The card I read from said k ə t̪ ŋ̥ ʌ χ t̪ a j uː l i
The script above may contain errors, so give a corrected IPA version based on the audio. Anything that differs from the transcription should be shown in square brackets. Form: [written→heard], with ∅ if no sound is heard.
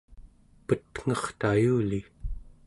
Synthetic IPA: [k→p] ə t̪ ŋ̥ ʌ χ t̪ a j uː l i